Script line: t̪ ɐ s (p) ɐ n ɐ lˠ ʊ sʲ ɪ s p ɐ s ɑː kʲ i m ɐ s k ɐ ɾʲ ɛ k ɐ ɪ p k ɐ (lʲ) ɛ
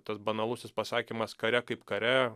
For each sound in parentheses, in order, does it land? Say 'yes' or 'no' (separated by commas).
no, no